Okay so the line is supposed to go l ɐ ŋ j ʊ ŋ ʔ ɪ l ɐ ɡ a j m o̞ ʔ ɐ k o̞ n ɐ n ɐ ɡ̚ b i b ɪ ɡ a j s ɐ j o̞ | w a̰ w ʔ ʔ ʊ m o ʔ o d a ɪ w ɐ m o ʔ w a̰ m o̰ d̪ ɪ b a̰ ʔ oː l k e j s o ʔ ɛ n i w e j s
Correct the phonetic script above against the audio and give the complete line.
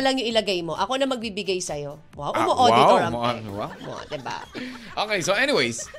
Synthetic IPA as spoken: l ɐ ŋ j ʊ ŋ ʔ ɪ l ɐ ɡ a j m o̞ ʔ ɐ k o̞ n ɐ m ɐ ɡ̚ b i b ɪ ɡ a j s ɐ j o̞ | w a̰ w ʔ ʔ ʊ m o ʔ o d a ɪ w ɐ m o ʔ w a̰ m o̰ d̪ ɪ b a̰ ʔ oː k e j s o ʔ ɛ n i w e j s